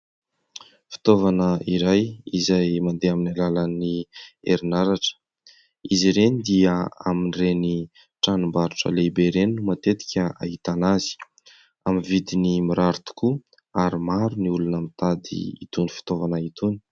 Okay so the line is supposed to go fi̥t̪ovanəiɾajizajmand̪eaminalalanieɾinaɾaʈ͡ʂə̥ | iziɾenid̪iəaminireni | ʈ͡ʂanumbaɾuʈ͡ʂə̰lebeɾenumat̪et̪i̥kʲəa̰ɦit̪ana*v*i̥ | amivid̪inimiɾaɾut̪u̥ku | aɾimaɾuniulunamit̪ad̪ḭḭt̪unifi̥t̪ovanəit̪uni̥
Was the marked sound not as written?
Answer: yes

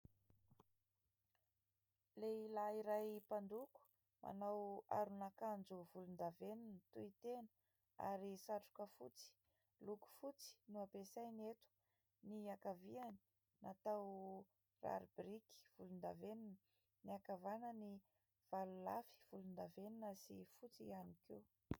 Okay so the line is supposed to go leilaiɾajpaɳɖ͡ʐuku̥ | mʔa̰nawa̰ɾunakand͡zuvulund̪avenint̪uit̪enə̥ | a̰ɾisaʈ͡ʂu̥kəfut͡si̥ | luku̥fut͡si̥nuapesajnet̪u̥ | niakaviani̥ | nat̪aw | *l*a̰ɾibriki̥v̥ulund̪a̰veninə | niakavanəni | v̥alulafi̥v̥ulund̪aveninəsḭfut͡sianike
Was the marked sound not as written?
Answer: yes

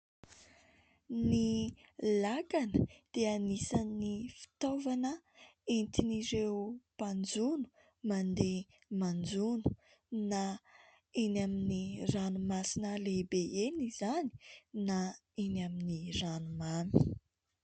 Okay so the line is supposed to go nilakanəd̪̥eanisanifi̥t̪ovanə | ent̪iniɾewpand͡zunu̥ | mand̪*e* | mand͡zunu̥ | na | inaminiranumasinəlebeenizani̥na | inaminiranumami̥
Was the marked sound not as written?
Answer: no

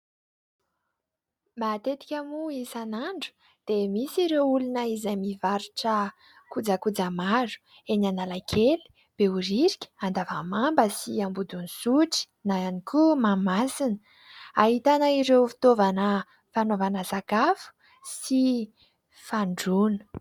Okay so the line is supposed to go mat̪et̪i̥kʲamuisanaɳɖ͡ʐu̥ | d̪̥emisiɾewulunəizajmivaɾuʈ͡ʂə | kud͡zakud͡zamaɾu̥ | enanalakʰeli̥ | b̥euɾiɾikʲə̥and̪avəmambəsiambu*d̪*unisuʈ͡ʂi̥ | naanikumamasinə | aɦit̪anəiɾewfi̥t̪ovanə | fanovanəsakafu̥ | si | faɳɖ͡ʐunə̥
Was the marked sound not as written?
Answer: no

